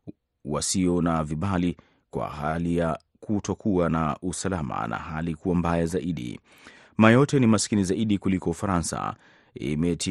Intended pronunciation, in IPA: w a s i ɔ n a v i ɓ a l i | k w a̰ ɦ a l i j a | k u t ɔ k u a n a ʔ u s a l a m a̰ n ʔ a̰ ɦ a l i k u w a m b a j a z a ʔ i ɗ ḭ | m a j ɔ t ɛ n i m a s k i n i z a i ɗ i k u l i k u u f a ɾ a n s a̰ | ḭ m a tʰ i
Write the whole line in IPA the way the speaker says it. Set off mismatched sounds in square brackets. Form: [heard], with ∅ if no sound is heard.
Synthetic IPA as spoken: w a s i ɔ n a v i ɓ a l i | k w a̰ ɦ a l i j a | k u t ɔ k u a n a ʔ u s a l a m a̰ n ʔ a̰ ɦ a l i k u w a m b a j a z a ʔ i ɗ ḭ | m a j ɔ t ɛ n i m a s k i n i z a i ɗ i k u l i k [ɔ] u f a ɾ a n s a̰ | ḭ m [ɛ] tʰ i